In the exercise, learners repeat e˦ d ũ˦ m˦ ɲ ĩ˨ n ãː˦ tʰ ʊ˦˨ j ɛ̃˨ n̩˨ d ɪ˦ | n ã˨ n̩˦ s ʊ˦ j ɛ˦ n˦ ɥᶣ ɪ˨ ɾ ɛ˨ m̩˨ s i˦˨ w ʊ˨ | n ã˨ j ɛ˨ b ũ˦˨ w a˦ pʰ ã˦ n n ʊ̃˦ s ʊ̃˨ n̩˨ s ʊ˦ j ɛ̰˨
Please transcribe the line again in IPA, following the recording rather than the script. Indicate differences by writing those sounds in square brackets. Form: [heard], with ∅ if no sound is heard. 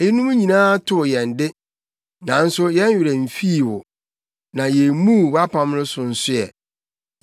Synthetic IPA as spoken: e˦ [n] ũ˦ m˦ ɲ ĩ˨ n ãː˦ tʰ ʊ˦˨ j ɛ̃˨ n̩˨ d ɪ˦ | n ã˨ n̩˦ s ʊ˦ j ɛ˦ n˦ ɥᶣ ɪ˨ ɾ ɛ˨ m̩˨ [f] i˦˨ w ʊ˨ | n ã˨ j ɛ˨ [m] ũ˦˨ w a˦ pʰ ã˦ [m] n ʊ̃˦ s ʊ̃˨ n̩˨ s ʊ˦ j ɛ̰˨